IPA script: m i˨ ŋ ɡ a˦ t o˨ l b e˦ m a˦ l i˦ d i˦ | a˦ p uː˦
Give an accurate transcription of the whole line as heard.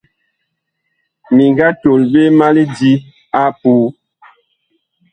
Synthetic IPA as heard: m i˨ ŋ ɡ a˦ t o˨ l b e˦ m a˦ l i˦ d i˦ | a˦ p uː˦